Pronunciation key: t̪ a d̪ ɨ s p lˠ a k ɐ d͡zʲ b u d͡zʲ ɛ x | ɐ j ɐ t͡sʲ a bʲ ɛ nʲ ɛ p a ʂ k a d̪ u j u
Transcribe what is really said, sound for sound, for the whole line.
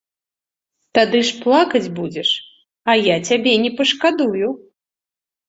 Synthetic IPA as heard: t̪ a d̪ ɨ ʂ p lˠ a k ɐ d͡zʲ b u d͡zʲ ɛ ʂ | ɐ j a t͡sʲ a bʲ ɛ nʲ ɛ p ɐ ʂ k a d̪ u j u